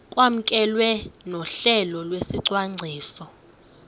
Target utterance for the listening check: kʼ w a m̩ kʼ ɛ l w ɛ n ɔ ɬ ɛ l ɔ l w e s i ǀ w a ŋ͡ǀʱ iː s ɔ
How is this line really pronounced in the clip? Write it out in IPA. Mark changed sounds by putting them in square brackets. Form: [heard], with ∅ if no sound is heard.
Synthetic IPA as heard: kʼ w a m̩ kʼ ɛ l w ɛ n ɔ ɬ ɛ l ɔ l w e s i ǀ w a ŋ͡ǀʱ iː s ɔ